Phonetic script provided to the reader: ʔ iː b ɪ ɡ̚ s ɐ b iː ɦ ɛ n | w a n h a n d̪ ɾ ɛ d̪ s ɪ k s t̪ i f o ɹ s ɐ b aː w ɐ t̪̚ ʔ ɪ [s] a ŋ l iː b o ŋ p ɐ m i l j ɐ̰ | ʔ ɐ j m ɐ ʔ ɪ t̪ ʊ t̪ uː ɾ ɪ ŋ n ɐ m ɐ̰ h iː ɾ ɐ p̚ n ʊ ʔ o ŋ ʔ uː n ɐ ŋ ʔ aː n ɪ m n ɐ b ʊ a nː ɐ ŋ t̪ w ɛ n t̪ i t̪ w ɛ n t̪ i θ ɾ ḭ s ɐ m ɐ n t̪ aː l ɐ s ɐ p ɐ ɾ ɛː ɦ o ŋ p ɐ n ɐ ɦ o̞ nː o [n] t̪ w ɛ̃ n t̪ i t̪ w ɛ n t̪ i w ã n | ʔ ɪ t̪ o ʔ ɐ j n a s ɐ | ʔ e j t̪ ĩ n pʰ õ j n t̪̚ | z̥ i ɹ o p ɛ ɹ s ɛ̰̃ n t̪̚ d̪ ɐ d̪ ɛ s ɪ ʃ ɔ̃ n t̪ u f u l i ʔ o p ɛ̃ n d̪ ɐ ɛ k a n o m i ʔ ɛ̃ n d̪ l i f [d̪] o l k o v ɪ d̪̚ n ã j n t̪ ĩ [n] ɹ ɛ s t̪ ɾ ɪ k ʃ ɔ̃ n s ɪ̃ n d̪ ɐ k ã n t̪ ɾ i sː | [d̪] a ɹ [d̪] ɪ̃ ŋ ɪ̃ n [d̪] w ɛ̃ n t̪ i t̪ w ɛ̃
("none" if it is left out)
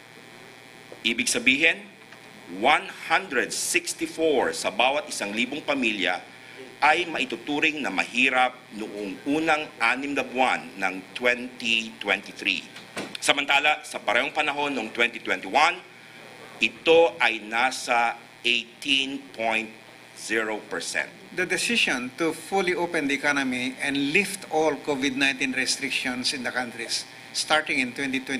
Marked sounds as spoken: s, ŋ, t̪, n, t̪, t̪, t̪

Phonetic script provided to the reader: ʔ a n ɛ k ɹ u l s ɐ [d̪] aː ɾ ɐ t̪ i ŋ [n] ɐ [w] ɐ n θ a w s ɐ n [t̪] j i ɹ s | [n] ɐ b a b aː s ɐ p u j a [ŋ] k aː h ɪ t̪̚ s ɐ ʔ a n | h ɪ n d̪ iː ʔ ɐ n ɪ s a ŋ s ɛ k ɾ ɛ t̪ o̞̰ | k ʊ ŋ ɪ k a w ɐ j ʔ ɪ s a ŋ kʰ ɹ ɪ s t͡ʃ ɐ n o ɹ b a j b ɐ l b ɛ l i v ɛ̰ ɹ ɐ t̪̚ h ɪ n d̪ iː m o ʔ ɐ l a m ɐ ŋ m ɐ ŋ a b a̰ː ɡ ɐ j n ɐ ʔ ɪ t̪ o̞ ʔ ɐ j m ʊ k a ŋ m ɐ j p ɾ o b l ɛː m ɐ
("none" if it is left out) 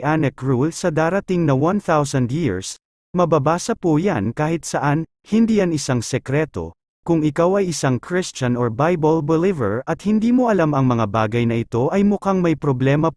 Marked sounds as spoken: d̪, n, w, d̪, m, n

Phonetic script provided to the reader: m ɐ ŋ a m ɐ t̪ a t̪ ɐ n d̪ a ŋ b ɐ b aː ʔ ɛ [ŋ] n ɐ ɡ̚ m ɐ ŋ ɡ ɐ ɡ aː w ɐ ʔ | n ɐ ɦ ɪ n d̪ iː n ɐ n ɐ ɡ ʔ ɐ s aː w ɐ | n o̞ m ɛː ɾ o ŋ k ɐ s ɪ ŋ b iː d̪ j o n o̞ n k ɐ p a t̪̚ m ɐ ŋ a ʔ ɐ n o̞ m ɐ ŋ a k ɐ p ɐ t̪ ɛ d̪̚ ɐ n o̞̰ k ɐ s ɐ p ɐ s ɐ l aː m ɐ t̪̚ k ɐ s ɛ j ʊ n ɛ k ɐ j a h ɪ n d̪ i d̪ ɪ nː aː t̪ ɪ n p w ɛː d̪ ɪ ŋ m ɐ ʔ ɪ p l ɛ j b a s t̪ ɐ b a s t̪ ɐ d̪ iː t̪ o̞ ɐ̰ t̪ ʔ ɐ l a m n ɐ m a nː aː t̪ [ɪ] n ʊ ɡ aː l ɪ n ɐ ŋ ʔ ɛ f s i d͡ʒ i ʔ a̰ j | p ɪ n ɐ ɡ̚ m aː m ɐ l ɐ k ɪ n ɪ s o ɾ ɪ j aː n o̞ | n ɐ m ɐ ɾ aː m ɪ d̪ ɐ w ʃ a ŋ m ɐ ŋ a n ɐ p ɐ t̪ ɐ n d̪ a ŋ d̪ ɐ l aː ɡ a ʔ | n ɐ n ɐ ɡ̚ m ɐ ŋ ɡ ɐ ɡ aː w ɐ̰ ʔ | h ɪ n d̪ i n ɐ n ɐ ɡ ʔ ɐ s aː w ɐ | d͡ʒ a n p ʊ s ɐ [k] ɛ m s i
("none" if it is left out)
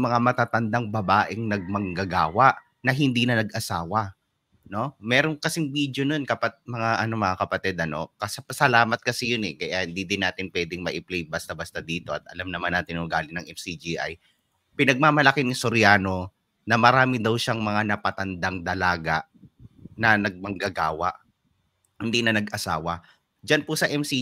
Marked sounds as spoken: ŋ, ɪ, ʔ

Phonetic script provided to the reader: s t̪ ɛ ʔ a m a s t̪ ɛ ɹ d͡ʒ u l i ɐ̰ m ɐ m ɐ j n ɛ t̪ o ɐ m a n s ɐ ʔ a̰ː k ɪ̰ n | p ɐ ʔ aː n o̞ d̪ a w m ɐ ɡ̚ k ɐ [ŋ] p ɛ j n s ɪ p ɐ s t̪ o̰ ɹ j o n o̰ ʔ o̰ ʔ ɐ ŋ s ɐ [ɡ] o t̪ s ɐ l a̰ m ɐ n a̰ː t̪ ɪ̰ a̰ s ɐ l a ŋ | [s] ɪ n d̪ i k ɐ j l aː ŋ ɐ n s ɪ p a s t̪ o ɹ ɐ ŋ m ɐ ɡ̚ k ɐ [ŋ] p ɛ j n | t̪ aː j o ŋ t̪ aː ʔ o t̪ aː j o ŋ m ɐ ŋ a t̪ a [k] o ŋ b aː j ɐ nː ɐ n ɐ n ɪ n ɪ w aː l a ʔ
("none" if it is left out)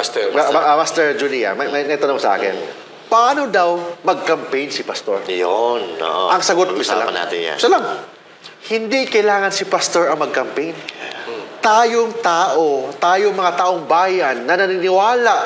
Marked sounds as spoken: m, ɡ, h, m, ʔ

